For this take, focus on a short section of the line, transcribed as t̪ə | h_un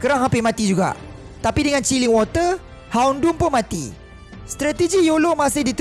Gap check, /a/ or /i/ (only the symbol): a